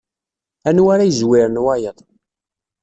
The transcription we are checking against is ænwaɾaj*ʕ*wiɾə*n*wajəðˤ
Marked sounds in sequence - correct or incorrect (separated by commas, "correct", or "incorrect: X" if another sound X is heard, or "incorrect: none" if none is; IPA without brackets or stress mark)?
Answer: incorrect: z, correct